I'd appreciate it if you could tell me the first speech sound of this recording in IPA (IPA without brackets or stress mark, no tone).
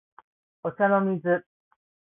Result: o